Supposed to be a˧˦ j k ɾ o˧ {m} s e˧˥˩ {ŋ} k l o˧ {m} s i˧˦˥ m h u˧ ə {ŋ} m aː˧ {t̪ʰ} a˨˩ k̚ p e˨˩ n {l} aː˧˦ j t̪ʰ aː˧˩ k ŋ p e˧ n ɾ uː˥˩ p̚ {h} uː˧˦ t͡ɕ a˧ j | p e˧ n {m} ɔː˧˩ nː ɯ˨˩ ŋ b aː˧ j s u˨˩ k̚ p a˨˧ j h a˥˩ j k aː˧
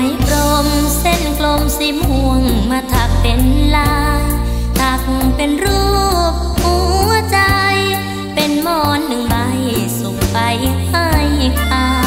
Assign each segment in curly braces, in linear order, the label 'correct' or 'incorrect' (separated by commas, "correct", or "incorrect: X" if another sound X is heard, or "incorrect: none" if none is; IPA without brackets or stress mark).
correct, incorrect: n, correct, correct, correct, correct, correct, correct